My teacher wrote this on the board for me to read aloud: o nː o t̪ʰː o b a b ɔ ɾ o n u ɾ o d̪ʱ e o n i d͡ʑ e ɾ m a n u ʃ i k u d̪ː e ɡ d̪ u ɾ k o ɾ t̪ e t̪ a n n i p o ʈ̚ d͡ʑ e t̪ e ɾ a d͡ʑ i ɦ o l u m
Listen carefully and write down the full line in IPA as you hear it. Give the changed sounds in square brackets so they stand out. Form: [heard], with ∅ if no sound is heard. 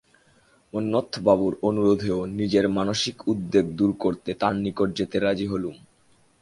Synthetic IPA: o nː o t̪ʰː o b a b [u] ɾ o n u ɾ o d̪ʱ e o n i d͡ʑ e ɾ m a n [o] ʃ i k u d̪ː e ɡ d̪ u ɾ k o ɾ t̪ e t̪ a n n i [k] o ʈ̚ d͡ʑ e t̪ e ɾ a d͡ʑ i ɦ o l u m